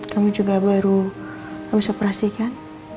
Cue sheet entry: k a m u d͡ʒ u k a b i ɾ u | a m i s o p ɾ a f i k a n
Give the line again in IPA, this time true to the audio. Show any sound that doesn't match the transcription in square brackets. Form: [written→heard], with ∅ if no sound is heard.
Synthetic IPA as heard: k a m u d͡ʒ u [k→ɡ] a b [i→a] ɾ u | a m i s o p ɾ a [f→s] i k a n